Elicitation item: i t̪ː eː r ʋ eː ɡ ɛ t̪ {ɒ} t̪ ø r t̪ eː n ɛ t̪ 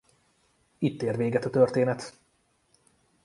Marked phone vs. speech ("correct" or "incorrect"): correct